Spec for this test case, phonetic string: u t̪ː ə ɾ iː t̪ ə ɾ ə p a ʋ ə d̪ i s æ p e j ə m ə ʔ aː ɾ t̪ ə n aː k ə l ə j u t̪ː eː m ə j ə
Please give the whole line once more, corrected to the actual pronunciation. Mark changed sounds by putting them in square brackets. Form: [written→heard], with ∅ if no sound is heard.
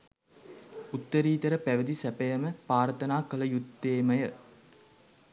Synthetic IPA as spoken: u t̪ː ə ɾ iː t̪ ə ɾ ə p [a→æ] ʋ ə d̪ i s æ p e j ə m ə [ʔ→p] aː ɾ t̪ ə n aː k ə l ə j u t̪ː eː m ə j ə